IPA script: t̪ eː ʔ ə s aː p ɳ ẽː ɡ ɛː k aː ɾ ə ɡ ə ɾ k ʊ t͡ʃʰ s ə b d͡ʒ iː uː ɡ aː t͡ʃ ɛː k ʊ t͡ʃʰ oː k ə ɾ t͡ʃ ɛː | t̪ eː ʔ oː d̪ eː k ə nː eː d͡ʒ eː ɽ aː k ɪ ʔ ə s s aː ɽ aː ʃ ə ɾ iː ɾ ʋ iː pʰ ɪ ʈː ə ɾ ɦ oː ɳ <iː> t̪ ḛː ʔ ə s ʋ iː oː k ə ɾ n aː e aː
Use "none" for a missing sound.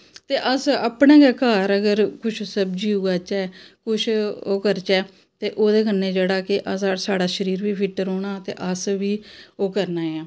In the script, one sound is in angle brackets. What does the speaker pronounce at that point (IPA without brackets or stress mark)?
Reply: aː